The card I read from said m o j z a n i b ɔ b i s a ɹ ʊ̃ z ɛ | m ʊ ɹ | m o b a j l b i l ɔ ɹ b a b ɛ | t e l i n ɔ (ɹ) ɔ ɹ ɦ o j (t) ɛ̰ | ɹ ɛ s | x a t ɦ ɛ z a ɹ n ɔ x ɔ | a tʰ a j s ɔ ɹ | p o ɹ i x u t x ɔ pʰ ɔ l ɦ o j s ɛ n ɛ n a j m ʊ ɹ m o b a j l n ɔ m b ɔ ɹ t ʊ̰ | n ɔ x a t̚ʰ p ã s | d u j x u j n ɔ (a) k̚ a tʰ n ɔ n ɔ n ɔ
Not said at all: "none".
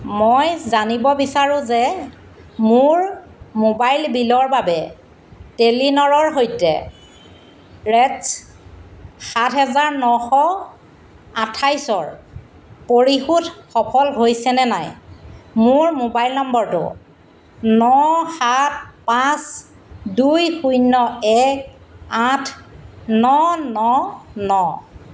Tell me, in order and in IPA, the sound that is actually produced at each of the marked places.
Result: ɹ, t, ɛ

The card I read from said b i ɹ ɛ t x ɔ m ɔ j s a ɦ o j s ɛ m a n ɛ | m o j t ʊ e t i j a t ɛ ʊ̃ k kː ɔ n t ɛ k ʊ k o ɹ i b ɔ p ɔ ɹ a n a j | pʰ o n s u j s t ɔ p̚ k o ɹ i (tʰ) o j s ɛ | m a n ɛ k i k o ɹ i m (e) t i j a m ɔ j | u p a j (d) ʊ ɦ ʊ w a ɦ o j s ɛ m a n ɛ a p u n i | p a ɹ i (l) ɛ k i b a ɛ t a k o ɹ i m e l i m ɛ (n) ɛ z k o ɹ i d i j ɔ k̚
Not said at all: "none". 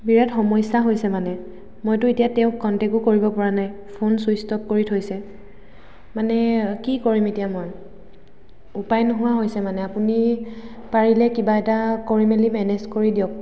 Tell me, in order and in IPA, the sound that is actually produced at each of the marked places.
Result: tʰ, e, n, l, n

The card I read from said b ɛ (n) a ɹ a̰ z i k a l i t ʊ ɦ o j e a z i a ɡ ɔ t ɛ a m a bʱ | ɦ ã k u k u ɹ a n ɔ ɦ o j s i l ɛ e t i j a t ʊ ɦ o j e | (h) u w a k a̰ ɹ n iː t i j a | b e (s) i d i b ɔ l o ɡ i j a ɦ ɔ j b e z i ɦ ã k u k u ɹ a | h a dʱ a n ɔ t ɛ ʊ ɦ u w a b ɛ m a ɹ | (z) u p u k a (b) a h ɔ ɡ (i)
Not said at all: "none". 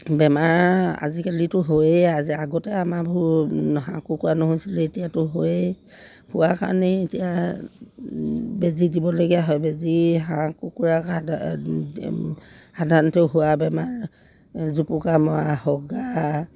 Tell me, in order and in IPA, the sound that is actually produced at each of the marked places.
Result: m, h, z, z, m, a

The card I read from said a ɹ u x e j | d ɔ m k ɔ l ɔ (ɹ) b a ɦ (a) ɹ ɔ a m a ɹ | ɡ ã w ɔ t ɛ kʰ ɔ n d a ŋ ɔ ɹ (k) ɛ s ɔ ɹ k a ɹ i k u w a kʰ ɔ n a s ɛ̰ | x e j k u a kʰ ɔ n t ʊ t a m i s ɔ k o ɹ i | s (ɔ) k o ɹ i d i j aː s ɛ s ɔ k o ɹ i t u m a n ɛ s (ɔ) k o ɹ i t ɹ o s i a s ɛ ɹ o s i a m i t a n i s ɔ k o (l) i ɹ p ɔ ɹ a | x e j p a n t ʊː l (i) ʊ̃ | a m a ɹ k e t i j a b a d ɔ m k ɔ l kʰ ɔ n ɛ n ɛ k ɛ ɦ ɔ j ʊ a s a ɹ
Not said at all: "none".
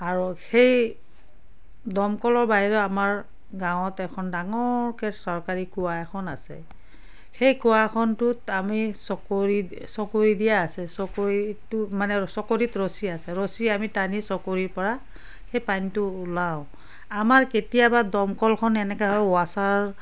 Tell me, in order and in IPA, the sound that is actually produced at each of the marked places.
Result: ɹ, i, k, ɔ, ɔ, ɹ, a

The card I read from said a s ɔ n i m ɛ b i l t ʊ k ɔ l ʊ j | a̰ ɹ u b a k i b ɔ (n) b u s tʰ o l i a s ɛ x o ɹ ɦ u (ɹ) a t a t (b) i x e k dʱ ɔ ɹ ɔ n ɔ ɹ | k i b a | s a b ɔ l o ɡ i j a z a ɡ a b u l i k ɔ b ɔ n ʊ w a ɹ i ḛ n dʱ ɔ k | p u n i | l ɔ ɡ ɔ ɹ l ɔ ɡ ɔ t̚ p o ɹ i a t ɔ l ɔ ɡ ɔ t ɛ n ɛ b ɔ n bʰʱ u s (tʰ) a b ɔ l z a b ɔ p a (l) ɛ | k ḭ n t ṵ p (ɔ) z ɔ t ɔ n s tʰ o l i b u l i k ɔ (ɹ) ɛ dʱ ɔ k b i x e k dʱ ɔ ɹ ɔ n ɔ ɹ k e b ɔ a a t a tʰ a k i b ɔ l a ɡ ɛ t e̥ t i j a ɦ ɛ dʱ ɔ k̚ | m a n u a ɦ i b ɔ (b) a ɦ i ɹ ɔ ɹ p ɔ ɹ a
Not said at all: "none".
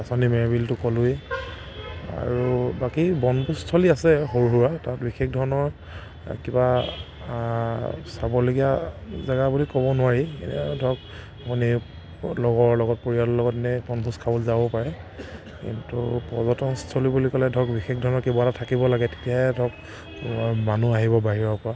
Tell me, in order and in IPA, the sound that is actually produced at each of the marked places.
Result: n, ɹ, b, kʰ, ɹ, ɔ, l, b

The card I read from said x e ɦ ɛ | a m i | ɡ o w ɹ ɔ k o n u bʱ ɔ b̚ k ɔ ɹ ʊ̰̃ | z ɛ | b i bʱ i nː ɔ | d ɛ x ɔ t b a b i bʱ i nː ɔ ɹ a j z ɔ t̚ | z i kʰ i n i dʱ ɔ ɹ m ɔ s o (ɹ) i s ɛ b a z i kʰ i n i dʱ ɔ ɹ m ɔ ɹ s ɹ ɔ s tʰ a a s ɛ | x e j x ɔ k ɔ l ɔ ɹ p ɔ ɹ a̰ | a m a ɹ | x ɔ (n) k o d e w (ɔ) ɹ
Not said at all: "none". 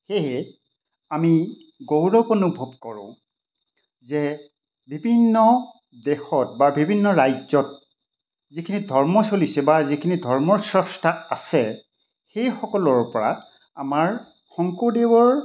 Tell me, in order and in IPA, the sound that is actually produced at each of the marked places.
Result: l, ŋ, ɔ

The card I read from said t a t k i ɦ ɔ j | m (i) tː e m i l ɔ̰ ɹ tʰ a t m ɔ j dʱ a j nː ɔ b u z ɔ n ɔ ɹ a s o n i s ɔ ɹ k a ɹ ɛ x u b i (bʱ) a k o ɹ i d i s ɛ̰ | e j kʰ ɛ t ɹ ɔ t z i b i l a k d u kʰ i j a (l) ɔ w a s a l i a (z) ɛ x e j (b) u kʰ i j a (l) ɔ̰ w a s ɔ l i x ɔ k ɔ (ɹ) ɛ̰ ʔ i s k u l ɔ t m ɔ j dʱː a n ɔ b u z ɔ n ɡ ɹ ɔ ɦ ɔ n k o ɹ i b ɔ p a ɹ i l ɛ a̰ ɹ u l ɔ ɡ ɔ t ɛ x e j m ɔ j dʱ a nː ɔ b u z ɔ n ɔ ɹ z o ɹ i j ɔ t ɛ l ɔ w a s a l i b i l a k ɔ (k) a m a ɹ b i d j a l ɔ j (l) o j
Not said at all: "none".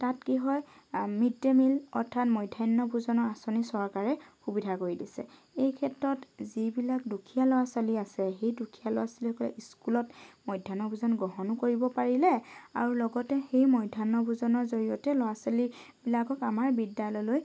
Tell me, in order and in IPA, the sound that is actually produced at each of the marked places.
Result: i, dʱ, l, s, d, l, l, k, l

